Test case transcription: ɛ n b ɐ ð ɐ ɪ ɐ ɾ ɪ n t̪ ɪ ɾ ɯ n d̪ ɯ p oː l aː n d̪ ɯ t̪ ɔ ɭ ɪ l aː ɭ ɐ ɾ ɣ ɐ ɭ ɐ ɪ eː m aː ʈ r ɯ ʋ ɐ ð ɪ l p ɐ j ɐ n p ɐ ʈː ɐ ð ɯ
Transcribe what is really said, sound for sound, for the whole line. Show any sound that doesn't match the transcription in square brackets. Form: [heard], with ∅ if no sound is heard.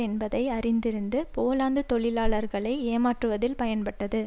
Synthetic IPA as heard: ɛ n b ɐ ð ɐ ɪ ɐ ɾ ɪ n [d̪] ɪ ɾ ɯ n d̪ ɯ p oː l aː n d̪ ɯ t̪ ɔ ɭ ɪ l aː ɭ ɐ ɾ ɣ ɐ ɭ ɐ ɪ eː m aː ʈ r ɯ ʋ ɐ ð ɪ l p ɐ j ɐ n p ɐ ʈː ɐ ð ɯ